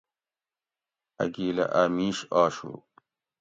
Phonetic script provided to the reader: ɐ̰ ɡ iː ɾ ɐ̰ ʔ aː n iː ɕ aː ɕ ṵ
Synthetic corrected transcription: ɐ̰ ɡ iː l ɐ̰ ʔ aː m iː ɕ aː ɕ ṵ